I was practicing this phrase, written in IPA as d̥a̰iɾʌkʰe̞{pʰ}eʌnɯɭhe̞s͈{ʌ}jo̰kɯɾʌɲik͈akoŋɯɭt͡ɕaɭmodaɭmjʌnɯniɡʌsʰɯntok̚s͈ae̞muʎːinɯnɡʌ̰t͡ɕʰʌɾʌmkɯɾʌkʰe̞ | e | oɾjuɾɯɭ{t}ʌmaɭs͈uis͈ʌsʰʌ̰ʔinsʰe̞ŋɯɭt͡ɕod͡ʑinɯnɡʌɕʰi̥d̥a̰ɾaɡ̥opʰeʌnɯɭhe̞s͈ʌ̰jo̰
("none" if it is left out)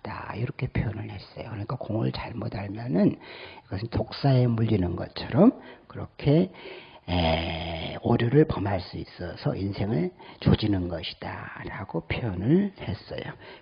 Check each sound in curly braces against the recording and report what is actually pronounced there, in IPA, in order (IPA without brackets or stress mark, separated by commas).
pʰ, ʌ, p